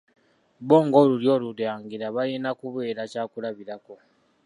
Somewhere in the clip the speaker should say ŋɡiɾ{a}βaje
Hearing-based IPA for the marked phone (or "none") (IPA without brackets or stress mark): a